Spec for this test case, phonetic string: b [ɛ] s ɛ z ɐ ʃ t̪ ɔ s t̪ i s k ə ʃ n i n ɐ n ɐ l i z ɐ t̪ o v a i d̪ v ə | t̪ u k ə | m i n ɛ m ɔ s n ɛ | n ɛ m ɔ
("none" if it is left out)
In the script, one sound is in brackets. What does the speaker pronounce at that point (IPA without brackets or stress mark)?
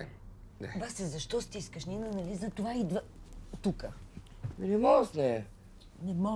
a